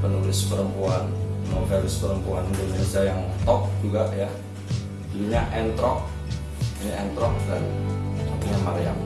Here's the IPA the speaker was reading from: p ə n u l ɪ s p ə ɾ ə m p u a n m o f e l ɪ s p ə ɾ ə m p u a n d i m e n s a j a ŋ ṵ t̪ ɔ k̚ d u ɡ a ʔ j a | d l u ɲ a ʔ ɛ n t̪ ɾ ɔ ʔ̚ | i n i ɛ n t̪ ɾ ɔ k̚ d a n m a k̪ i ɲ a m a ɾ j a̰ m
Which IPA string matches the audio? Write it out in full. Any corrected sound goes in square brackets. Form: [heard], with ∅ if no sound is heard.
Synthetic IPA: p ə n u l ɪ s p ə ɾ ə m p u a n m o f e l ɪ s p ə ɾ ə m p u a n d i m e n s a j a ŋ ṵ t̪ ɔ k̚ [d͡ʒ] u ɡ a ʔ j a | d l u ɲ a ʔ ɛ n t̪ ɾ ɔ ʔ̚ | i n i ɛ n t̪ ɾ ɔ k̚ d a n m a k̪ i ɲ a m a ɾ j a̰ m